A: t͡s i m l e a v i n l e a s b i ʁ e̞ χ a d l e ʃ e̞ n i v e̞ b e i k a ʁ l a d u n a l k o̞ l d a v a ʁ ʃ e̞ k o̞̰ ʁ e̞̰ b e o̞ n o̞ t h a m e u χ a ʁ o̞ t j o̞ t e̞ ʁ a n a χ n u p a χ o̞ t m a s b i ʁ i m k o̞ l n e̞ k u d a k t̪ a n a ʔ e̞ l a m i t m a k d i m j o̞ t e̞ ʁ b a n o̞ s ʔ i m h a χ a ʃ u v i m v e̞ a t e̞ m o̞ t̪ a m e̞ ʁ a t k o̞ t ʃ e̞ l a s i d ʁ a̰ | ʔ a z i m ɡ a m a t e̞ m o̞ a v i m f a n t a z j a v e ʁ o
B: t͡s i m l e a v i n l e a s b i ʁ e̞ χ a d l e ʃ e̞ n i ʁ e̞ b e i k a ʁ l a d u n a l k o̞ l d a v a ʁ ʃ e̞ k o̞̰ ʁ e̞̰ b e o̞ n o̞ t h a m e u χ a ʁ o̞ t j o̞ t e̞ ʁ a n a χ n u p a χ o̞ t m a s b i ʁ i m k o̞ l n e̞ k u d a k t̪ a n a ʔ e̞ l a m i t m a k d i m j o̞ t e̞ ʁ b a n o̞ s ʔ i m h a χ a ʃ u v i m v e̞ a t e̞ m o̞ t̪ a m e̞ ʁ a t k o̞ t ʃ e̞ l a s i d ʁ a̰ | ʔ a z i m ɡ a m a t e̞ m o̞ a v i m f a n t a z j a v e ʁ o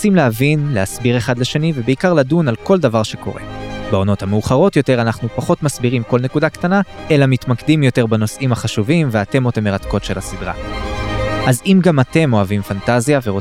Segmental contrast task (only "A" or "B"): A